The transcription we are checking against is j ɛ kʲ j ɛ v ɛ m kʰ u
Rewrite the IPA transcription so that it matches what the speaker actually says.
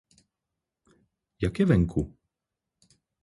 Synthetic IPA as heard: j a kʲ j ɛ v ɛ ŋ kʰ u